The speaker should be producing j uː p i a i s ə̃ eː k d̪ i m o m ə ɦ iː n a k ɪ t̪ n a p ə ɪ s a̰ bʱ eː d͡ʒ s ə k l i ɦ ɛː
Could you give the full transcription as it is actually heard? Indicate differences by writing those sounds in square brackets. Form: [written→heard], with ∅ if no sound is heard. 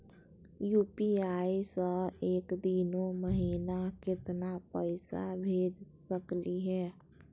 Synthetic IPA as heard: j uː p i a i s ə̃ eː k d̪ i [m→n] o m ə ɦ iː n a k ɪ t̪ n a p ə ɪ s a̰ bʱ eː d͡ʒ s ə k l i ɦ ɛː

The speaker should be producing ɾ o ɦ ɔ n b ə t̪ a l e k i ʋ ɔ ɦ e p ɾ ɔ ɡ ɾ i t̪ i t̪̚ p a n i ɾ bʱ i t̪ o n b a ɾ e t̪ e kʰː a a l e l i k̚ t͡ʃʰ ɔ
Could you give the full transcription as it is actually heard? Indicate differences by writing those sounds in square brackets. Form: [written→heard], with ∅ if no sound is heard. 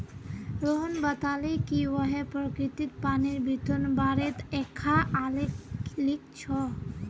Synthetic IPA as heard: ɾ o ɦ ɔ n b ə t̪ a l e k i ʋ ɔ ɦ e p ɾ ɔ [ɡ→k] ɾ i t̪ i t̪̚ p a n i ɾ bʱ i t̪ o n b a ɾ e t̪ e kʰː a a l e l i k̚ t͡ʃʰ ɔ

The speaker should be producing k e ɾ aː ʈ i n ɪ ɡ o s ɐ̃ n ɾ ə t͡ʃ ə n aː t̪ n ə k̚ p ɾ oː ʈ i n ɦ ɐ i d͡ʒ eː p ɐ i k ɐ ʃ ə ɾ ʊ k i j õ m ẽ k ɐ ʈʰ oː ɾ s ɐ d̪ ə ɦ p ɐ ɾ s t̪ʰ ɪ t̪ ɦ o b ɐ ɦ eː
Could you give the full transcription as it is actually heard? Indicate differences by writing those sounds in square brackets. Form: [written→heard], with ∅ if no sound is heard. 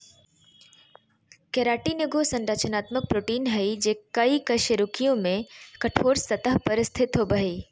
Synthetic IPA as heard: k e ɾ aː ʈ i n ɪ ɡ o s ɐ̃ n ɾ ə t͡ʃ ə n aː t̪ [n→m] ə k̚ p ɾ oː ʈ [i→iː] n ɦ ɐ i d͡ʒ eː [p→k] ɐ i k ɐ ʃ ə ɾ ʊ k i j õ m ẽ k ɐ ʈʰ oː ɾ s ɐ [d̪→t̪] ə ɦ p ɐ ɾ s t̪ʰ ɪ t̪ ɦ o b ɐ ɦ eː

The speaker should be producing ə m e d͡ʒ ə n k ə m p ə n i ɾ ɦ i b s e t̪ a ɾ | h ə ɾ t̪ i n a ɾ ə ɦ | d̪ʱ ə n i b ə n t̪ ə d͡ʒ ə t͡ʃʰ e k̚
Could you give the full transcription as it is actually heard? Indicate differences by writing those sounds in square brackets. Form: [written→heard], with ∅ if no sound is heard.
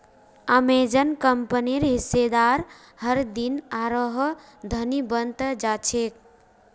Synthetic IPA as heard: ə m e d͡ʒ ə n k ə m p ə n i ɾ ɦ i [b→∅] s e [t̪→d̪] a ɾ | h ə ɾ [t̪→d̪] i n a ɾ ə ɦ | d̪ʱ ə n i b ə n t̪ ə d͡ʒ [ə→a] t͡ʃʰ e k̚

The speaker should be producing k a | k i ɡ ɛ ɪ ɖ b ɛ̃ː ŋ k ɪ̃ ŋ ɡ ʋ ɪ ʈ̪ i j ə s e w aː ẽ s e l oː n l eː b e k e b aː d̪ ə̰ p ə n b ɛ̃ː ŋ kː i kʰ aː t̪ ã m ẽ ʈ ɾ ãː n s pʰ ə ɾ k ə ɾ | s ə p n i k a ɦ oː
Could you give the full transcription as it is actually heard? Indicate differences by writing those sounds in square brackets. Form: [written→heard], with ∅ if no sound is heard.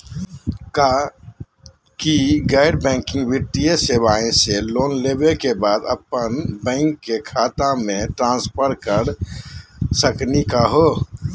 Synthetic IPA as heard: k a | k i ɡ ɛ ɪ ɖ b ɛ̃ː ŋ k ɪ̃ ŋ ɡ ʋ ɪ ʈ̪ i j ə s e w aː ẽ s e l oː n l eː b e k e b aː d̪ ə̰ p ə n b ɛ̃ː ŋ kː [i→e] kʰ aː t̪ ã m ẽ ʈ ɾ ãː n s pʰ ə ɾ k ə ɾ | s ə [p→k] n i k a ɦ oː

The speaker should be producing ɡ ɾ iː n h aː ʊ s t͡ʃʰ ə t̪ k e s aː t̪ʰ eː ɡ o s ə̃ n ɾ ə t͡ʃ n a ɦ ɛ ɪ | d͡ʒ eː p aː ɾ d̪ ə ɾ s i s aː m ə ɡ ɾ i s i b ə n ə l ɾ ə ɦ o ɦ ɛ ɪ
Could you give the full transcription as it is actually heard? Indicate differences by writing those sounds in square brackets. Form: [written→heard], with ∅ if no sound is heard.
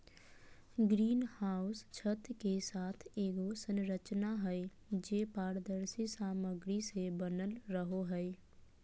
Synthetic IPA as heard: ɡ ɾ iː n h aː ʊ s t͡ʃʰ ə t̪ k e s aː t̪ʰ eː ɡ o s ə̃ n ɾ ə t͡ʃ n a ɦ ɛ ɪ | d͡ʒ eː p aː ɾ d̪ ə ɾ s i s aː m ə ɡ ɾ i s [i→e] b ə n ə l ɾ ə ɦ o ɦ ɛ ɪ

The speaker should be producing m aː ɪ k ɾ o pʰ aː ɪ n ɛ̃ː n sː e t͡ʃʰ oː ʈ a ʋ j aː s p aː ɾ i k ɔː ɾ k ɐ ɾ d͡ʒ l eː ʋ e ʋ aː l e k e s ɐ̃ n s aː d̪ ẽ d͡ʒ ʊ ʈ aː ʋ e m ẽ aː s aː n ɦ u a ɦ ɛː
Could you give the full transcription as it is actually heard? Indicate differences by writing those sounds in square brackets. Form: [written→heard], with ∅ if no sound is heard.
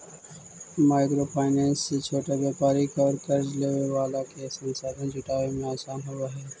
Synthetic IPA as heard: m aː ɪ k ɾ o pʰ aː ɪ n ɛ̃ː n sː e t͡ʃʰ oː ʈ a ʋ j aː [s→∅] p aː ɾ i k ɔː ɾ k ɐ ɾ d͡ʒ l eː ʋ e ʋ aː l [e→a] k e s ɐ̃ n s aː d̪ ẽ d͡ʒ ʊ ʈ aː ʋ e m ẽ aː s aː n ɦ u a ɦ ɛː

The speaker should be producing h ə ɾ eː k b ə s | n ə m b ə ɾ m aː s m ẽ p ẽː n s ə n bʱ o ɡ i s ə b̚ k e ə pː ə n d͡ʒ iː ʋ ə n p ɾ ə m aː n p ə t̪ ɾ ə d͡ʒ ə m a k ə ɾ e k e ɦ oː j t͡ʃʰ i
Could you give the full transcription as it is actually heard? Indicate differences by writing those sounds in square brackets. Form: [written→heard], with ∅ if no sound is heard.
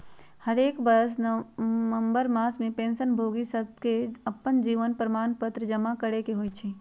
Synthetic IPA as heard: h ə ɾ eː k b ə s | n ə m b ə ɾ m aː s m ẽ p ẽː n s ə n bʱ o ɡ i s ə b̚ k e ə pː ə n d͡ʒ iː ʋ ə n p ɾ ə m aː n p ə t̪ ɾ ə d͡ʒ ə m a k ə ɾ e k e ɦ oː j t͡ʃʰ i

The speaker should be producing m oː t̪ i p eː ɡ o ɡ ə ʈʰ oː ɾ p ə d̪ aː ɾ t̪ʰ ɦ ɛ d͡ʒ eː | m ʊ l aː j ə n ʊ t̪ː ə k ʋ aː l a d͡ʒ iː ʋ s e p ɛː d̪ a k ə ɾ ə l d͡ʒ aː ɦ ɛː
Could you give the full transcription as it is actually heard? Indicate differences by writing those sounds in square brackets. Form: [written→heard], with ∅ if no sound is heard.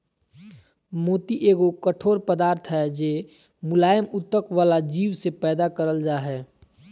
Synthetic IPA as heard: m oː t̪ i [p→ʔ] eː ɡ o [ɡ→k] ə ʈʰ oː ɾ p ə d̪ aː ɾ t̪ʰ ɦ ɛ d͡ʒ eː | m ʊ l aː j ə [n→m] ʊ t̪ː ə k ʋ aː l a d͡ʒ iː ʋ s e p ɛː d̪ a k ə ɾ ə l d͡ʒ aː ɦ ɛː

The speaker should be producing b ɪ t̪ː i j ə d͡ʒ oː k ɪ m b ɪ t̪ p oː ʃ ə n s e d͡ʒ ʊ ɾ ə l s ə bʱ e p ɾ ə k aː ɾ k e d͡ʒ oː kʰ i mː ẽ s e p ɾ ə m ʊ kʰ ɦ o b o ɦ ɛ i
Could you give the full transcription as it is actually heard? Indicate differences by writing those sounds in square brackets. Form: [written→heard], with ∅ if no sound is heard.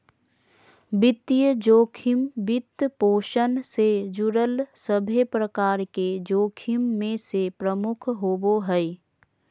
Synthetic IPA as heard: b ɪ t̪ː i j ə d͡ʒ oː [k→kʰ] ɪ m b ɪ t̪ p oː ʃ ə n s e d͡ʒ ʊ ɾ ə l s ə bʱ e p ɾ ə k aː ɾ k e d͡ʒ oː kʰ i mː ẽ s e p ɾ ə m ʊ kʰ ɦ o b o ɦ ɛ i

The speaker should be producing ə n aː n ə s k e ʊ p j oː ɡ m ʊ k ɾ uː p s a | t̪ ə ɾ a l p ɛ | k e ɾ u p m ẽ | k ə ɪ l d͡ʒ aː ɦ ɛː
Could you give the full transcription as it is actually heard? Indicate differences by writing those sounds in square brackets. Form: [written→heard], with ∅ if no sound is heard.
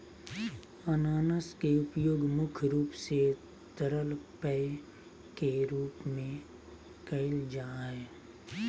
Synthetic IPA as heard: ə n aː n ə s k e ʊ p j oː ɡ m ʊ [k→kʰ] ɾ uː p s [a→e] | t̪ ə ɾ [a→ə] l p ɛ | k e ɾ [u→uː] p m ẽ | k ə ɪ l d͡ʒ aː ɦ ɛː

